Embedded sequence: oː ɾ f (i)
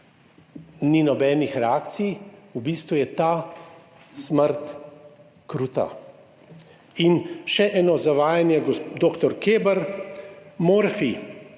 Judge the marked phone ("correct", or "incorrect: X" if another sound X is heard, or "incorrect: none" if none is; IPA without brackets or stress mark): correct